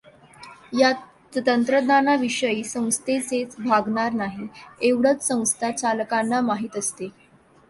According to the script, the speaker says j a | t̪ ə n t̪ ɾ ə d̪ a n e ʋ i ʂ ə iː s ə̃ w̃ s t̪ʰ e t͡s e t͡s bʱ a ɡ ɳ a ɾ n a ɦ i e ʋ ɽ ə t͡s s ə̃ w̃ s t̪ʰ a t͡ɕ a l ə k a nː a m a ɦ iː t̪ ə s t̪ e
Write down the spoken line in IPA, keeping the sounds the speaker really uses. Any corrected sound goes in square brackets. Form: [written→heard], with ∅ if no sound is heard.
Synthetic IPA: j a | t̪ ə n t̪ ɾ ə d̪ a n [e→a] ʋ i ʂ ə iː s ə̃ w̃ s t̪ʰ e t͡s e t͡s bʱ a ɡ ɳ a ɾ n a ɦ i e ʋ ɽ ə t͡s s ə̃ w̃ s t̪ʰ a t͡ɕ a l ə k a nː a m a ɦ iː t̪ ə s t̪ e